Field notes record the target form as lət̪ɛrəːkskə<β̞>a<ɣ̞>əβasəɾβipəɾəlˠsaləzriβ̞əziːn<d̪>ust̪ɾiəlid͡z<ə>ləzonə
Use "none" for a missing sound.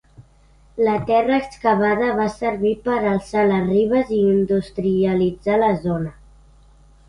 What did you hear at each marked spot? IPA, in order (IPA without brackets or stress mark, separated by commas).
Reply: β̞, ð̞, d̪, a